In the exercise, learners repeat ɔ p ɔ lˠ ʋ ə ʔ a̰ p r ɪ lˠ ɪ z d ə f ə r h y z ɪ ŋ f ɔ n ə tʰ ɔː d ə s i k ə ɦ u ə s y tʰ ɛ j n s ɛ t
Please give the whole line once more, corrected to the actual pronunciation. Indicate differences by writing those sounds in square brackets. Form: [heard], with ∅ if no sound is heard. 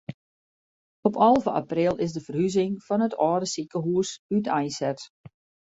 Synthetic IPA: ɔ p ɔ lˠ [v] ə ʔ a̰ p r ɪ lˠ ɪ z d ə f ə r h y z ɪ ŋ f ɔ n ə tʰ ɔː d ə s i k ə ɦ u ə s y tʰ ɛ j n s ɛ t